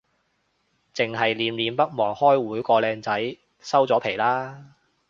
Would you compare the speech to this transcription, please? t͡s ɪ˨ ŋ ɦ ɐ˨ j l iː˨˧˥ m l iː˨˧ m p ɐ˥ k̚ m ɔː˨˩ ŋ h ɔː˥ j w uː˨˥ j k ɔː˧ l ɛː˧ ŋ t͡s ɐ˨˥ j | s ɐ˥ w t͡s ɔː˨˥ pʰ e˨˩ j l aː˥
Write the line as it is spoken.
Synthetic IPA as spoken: t͡s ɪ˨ ŋ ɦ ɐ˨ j l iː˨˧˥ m l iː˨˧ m p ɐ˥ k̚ m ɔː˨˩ ŋ h ɔː˥ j w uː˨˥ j k ɔː˧ l ɛː˧ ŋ t͡s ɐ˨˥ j | s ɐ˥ w t͡s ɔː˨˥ pʰ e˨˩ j l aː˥